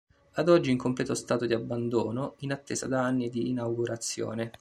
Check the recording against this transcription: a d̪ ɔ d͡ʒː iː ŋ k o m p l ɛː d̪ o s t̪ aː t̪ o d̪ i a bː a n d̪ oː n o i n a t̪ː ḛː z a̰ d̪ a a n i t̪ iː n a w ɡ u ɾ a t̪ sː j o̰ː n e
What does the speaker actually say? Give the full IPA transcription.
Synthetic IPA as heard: a d̪ ɔ d͡ʒː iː ŋ k o m p l ɛː t̪ o s t̪ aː t̪ o d̪ i a bː a n d̪ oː n o i n a t̪ː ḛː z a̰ d̪ a a nː i d̪ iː n a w ɡ u ɾ a t̪ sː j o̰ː n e